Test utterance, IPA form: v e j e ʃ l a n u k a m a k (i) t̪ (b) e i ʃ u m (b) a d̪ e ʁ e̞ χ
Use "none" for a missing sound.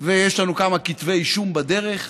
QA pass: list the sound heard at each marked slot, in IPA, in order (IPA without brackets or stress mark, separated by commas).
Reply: i, v, b